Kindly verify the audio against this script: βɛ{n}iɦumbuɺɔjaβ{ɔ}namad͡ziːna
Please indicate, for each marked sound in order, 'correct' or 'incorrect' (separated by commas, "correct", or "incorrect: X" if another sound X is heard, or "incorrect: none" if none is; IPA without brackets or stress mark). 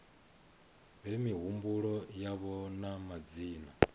incorrect: m, correct